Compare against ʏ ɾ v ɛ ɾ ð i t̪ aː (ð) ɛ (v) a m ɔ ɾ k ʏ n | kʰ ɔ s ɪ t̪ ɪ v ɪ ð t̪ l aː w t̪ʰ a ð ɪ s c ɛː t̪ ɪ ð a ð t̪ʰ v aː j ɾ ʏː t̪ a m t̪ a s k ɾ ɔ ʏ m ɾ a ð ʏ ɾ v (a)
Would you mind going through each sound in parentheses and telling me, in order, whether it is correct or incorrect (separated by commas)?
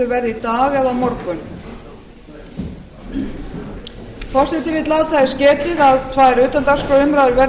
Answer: incorrect, incorrect, incorrect